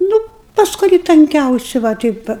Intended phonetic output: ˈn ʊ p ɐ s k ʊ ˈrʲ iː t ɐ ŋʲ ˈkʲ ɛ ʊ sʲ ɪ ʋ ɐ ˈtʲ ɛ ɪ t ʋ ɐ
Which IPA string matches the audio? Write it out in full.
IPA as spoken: ˈn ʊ p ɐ s k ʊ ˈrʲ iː t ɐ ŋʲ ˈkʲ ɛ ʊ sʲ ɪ ʋ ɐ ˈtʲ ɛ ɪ p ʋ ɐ